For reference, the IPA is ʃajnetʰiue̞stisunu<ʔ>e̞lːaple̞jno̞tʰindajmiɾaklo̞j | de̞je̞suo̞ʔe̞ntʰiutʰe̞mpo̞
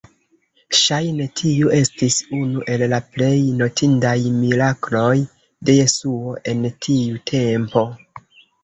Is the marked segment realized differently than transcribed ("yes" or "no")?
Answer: no